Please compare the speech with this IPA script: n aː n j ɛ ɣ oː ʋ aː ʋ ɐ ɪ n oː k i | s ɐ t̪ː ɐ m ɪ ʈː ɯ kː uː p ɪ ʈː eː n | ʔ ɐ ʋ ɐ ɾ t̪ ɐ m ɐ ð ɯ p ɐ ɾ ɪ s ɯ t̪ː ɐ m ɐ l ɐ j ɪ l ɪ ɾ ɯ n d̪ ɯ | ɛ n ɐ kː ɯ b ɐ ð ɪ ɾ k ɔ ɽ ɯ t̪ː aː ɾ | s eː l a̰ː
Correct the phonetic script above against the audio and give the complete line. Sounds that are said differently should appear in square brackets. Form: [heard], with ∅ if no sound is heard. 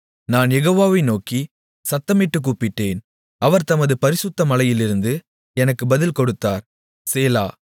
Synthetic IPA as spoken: n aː n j ɛ ɣ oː ʋ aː ʋ ɐ ɪ n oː k i | s ɐ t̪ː ɐ m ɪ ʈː ɯ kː uː p ɪ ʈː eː n | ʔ ɐ ʋ ɐ ɾ t̪ ɐ m ɐ ð ɯ p ɐ ɾ ɪ s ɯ t̪ː ɐ m ɐ l ɐ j ɪ l ɪ ɾ ɯ n d̪ ɯ | ɛ n ɐ kː ɯ b ɐ ð ɪ [l] k ɔ ɽ ɯ t̪ː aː ɾ | s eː l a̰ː